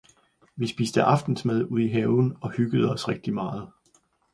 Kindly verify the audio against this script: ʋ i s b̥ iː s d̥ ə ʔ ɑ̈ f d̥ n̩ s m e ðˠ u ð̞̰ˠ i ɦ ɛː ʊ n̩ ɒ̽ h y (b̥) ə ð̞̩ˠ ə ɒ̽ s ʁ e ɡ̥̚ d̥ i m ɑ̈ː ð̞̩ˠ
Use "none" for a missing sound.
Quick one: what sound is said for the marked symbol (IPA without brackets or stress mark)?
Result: ɡ̥